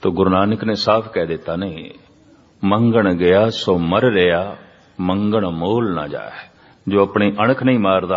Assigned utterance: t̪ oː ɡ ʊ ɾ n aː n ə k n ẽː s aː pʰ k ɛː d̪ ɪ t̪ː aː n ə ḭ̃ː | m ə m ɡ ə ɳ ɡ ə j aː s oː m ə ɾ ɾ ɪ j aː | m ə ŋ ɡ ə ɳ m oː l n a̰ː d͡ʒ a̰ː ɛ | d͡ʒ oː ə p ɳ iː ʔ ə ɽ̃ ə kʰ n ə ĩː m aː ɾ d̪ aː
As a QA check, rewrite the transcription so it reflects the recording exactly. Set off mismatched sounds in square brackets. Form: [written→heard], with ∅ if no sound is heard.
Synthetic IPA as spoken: t̪ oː ɡ ʊ ɾ n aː n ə k n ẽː s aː pʰ k ɛː d̪ ɪ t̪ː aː n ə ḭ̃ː | m ə [m→ŋ] ɡ ə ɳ ɡ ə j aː s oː m ə ɾ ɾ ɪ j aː | m ə ŋ ɡ ə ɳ m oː l n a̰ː d͡ʒ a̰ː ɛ | d͡ʒ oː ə p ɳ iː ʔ ə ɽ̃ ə kʰ n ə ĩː m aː ɾ d̪ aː